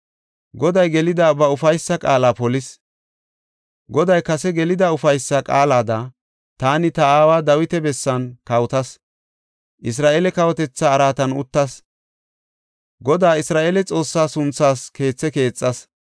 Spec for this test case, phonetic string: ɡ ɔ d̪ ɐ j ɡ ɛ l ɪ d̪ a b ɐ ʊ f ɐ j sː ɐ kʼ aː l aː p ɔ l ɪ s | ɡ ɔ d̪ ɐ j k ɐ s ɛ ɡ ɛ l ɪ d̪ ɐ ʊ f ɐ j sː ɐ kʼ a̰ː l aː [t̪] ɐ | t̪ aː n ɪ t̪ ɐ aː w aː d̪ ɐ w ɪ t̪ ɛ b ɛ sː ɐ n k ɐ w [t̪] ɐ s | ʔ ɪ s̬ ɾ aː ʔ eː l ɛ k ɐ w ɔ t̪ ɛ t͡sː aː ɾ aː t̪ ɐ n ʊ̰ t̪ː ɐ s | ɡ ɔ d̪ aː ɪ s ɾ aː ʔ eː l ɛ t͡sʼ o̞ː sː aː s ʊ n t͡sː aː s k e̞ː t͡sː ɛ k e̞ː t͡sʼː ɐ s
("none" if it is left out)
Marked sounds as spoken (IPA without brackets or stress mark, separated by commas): d̪, t̪